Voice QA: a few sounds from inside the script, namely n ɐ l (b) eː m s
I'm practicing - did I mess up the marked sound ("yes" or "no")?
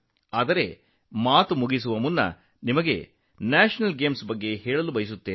yes